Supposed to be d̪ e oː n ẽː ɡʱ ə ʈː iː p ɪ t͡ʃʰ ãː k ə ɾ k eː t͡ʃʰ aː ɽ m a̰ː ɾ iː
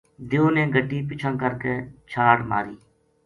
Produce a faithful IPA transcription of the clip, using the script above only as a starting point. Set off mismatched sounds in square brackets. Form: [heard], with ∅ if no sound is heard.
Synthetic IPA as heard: d̪ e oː n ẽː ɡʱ ə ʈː iː p ɪ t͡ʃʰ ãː k ə ɾ k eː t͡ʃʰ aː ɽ m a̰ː ɾ iː

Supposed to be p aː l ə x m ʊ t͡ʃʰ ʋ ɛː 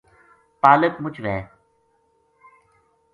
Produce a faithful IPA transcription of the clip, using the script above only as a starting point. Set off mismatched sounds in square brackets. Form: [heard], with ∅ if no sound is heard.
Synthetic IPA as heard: p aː l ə [k] m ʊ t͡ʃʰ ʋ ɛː

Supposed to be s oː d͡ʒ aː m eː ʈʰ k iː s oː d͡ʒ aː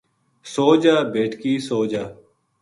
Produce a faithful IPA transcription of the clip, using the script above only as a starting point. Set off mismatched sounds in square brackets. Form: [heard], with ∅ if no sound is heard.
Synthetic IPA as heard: s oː d͡ʒ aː [b] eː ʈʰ k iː s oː d͡ʒ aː

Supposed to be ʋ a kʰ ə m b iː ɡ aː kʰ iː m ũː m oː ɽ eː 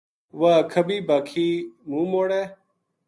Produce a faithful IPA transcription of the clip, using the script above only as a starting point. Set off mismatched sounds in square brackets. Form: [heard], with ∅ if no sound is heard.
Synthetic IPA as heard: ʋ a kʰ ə [∅] b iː [b] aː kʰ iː m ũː m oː ɽ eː

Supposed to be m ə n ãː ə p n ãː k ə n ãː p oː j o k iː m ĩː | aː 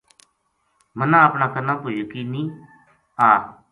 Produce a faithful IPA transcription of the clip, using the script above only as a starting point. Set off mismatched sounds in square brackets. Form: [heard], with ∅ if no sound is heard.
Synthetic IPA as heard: m ə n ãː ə p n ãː k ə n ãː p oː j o k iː [n] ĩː | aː

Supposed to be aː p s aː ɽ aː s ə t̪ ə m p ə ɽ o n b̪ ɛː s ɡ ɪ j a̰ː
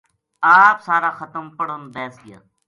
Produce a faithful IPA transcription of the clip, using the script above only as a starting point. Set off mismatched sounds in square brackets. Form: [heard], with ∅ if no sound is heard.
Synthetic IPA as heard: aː p s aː [ɾ] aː [x] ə t̪ ə m p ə ɽ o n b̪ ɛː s ɡ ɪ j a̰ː

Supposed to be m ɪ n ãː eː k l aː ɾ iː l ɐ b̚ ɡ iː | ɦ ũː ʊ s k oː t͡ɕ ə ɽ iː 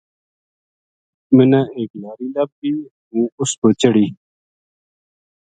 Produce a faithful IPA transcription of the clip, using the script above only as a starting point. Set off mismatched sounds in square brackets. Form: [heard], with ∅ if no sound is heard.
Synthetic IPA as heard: m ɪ n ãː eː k l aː ɾ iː l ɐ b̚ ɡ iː | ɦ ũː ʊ s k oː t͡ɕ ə ɽ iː

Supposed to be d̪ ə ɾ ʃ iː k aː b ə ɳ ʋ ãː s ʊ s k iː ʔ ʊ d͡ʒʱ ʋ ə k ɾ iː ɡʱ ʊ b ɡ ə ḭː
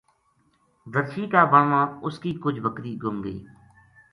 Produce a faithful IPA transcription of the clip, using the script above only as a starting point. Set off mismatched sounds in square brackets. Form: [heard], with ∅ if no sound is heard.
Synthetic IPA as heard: d̪ ə ɾ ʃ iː k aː b ə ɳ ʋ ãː [∅] ʊ s k iː [k] ʊ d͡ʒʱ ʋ ə k ɾ iː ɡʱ ʊ [m] ɡ ə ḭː

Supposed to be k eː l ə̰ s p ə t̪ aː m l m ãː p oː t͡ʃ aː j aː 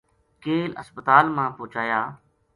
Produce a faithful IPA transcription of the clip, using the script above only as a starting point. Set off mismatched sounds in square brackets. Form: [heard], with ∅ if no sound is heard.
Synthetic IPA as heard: k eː l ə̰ s p ə t̪ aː [∅] l m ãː p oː t͡ʃ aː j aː

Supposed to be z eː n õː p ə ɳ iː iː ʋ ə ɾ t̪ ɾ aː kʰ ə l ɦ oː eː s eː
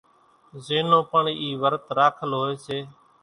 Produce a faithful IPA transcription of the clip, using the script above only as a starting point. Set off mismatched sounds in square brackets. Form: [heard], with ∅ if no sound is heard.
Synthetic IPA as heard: z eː n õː p ə ɳ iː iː ʋ ə ɾ t̪ ɾ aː kʰ ə l ɦ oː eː s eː

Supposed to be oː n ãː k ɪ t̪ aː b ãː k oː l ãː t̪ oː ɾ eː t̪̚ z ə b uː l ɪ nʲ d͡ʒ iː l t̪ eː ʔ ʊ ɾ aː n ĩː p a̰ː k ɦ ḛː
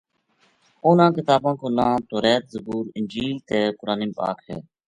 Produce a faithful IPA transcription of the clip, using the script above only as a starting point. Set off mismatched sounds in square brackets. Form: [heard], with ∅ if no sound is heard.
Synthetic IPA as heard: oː n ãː k ɪ t̪ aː b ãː k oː l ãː t̪ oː ɾ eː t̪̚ z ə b uː [ɾ] ɪ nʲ d͡ʒ iː l t̪ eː [k] ʊ ɾ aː n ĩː p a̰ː k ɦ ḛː

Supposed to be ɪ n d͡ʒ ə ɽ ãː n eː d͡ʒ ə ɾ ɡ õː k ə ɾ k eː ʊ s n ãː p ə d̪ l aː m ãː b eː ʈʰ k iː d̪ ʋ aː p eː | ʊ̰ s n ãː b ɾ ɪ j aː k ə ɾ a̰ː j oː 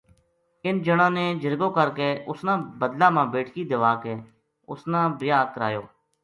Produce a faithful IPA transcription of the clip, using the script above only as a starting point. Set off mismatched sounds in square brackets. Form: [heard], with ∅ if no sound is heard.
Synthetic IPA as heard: ɪ n d͡ʒ ə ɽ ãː n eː d͡ʒ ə ɾ ɡ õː k ə ɾ k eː ʊ s n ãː [b] ə d̪ l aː m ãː b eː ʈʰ k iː d̪ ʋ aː [k] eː | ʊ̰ s n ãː b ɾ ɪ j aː k ə ɾ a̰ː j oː

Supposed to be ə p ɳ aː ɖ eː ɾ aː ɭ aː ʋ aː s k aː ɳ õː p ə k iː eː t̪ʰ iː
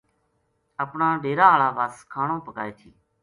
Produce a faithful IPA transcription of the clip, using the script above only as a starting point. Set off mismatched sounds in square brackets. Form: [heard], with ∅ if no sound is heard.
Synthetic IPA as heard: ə p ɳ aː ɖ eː ɾ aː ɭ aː ʋ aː s [kʰ] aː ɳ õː p ə k [aː] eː t̪ʰ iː

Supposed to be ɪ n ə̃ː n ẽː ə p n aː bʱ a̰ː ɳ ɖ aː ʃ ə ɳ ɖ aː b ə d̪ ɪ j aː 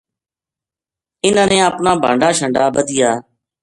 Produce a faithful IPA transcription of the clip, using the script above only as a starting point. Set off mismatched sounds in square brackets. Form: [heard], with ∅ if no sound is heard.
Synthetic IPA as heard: ɪ n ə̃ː n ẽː ə p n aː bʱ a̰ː ɳ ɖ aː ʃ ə ɳ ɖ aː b ə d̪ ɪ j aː

